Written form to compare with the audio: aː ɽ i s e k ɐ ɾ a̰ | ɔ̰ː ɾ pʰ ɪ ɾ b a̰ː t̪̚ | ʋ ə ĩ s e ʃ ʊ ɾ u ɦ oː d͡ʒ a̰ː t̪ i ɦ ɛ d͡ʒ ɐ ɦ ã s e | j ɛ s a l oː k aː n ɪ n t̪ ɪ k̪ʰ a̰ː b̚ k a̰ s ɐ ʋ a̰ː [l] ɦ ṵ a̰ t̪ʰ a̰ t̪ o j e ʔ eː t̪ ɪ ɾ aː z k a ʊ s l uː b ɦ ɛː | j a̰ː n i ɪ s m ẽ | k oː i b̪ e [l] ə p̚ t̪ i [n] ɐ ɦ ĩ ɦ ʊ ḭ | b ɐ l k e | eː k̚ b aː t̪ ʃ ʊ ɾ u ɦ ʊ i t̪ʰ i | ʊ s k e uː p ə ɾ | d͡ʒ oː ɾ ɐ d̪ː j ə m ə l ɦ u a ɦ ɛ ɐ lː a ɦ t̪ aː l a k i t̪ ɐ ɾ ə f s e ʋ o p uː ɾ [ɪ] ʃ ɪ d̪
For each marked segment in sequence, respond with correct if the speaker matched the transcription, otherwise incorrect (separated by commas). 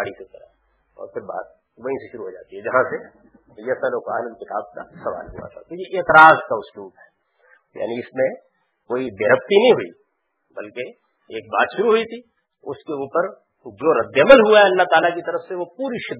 correct, incorrect, correct, incorrect